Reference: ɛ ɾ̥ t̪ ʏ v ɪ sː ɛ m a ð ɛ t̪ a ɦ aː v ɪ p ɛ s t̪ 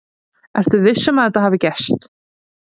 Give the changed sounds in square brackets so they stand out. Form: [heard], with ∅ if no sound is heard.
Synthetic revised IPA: ɛ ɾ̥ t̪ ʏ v ɪ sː ɛ m a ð ɛ t̪ a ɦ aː v ɪ [c] ɛ s t̪